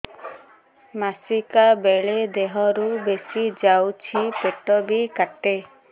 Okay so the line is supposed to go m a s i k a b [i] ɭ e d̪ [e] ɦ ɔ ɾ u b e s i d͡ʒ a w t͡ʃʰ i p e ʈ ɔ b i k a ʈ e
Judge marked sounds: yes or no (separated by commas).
no, yes